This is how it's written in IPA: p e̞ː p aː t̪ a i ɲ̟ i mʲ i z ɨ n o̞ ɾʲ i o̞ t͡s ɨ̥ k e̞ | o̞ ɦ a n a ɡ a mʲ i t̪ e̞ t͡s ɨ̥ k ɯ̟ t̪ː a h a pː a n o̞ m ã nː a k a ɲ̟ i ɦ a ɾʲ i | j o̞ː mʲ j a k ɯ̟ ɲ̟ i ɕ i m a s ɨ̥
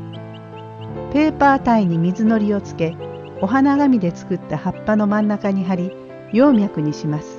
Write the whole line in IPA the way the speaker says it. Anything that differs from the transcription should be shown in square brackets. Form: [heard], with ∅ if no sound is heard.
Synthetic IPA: p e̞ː p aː t̪ a i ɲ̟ i mʲ i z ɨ n o̞ ɾʲ i o̞ t͡s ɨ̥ k e̞ | o̞ ɦ a n a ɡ a mʲ i [d̪] e̞ t͡s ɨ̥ k ɯ̟ t̪ː a h a pː a n o̞ m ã nː a k a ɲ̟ i ɦ a ɾʲ i | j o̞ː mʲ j a k ɯ̟ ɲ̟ i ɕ i m a s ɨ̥